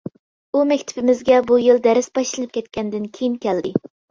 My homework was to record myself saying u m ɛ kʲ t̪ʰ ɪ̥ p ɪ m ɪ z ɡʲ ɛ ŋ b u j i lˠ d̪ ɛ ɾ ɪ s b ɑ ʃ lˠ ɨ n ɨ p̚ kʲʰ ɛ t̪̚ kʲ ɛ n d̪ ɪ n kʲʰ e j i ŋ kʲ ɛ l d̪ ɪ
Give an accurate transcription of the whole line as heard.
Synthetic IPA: u m ɛ kʲ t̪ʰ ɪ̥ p ɪ m ɪ z ɡʲ ɛ b u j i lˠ d̪ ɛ ɾ ɪ s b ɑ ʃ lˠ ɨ n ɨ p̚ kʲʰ ɛ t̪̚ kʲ ɛ n d̪ ɪ n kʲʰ e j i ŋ kʲ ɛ l d̪ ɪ